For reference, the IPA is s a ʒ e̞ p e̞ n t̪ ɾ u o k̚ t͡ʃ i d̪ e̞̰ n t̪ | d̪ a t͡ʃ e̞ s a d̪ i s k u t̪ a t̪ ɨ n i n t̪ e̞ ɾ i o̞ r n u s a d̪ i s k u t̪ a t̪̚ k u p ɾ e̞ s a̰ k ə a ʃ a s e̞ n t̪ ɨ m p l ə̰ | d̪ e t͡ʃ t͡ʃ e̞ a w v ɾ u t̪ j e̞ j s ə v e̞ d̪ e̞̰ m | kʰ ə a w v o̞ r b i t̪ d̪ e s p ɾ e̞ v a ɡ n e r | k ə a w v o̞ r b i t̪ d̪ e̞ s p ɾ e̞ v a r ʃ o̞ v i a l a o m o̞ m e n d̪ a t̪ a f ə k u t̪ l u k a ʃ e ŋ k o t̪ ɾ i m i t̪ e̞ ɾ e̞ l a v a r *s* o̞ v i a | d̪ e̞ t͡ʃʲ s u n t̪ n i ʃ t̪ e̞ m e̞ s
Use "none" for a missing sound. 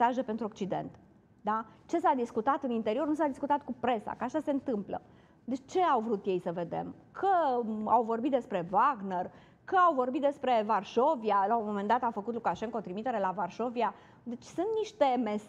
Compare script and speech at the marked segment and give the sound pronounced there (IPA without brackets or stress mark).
ʃ